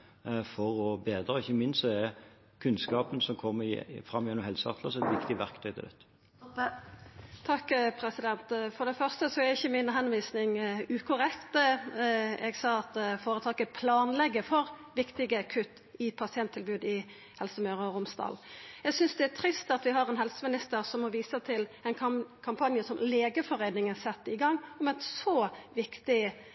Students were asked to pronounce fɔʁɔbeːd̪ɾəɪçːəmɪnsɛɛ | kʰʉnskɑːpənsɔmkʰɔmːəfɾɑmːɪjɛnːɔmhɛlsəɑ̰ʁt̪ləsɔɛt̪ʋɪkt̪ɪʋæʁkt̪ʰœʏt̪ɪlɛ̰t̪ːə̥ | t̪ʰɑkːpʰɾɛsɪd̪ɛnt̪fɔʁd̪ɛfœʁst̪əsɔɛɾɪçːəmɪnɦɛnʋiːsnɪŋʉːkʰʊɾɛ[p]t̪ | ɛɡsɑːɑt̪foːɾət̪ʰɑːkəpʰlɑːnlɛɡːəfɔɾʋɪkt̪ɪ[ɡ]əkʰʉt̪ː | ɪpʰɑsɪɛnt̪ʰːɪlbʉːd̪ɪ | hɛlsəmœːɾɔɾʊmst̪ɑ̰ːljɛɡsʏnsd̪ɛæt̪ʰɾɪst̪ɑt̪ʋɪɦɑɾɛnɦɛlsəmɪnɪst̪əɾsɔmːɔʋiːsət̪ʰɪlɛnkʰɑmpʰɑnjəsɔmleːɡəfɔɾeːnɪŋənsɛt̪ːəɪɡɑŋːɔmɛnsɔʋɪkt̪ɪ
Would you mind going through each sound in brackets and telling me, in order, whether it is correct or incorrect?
incorrect, correct

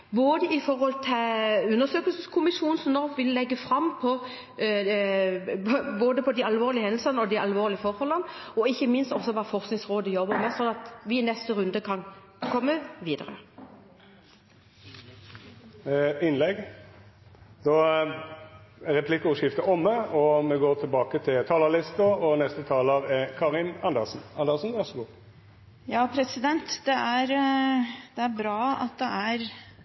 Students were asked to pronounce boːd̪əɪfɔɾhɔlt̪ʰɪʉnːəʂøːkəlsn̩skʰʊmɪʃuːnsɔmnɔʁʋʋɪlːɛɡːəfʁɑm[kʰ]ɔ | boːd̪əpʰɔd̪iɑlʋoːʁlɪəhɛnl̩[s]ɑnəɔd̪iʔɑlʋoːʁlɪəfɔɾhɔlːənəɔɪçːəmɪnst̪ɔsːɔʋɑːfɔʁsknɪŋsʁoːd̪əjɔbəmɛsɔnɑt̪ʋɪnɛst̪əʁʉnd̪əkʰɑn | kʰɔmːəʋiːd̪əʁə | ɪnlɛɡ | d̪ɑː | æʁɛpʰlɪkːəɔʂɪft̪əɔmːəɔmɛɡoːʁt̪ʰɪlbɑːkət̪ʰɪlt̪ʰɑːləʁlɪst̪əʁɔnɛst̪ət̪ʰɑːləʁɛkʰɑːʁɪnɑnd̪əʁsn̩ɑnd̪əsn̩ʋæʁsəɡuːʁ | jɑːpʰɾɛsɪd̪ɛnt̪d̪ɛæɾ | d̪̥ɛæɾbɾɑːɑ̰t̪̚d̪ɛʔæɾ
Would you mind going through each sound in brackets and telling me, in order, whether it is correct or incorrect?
incorrect, correct

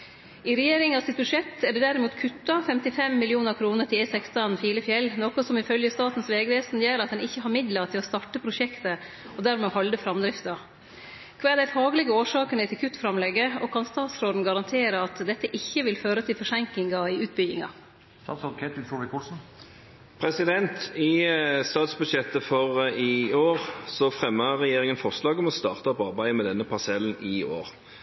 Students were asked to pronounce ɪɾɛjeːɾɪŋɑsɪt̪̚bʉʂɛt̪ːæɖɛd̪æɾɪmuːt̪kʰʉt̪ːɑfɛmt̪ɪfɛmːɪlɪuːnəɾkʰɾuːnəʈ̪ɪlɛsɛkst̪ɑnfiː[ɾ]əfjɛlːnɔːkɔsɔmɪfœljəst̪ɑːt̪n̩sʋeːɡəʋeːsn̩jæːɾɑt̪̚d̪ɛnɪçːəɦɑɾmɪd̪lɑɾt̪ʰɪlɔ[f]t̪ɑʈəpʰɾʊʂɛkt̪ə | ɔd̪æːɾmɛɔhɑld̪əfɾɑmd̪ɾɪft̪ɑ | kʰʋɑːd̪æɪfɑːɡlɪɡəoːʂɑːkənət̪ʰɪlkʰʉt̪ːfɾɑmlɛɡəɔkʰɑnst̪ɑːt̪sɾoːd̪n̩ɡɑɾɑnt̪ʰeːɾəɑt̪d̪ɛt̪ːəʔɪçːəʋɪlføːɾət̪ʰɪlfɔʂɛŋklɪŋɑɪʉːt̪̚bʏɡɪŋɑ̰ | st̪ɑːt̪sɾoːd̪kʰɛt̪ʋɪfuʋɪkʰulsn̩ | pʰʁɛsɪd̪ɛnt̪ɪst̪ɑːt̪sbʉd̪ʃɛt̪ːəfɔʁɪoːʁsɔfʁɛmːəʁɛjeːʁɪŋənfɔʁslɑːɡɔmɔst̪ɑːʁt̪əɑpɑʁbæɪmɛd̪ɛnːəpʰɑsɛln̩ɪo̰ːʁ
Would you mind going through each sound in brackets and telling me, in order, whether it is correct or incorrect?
incorrect, incorrect

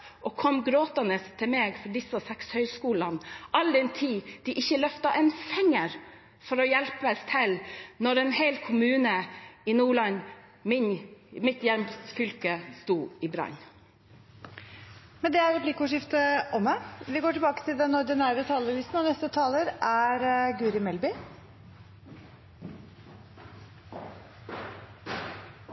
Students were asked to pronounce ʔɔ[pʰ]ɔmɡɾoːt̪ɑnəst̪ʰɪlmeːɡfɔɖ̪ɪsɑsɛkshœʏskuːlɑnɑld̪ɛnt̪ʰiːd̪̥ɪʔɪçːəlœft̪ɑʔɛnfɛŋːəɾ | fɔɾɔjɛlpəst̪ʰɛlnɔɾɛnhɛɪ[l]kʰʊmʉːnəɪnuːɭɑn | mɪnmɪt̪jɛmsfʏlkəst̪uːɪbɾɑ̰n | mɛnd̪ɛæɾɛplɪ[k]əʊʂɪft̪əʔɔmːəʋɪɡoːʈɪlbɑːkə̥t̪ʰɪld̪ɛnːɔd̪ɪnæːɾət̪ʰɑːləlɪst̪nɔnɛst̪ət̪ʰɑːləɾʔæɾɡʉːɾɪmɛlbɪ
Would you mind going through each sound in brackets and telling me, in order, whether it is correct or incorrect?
incorrect, correct, correct

